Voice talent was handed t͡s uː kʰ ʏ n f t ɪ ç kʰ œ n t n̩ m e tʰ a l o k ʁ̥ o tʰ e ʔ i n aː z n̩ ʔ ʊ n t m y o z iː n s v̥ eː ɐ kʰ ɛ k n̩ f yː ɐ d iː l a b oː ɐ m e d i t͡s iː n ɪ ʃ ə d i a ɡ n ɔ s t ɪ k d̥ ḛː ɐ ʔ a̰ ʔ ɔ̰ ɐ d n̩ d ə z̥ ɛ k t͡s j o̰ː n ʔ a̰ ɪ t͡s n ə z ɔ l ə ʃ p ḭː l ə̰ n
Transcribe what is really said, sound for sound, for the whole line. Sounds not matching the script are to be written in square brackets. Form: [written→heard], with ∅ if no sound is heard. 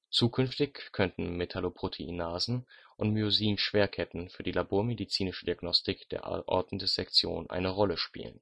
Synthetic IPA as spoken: t͡s uː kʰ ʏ n f t ɪ ç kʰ œ n t n̩ m e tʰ a l o [k→p] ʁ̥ o tʰ e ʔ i n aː z n̩ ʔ ʊ n t m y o z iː n [s→ʃ] v̥ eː ɐ kʰ ɛ [k→t] n̩ f yː ɐ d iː l a b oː ɐ m e d i t͡s iː n ɪ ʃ ə d i a ɡ n ɔ s t ɪ k d̥ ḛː ɐ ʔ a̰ ʔ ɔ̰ ɐ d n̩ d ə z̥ ɛ k t͡s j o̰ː n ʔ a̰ ɪ [t͡s→∅] n ə [z→ʁ] ɔ l ə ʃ p ḭː l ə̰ n